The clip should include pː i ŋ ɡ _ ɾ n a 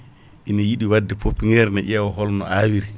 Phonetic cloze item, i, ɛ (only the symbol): ɛ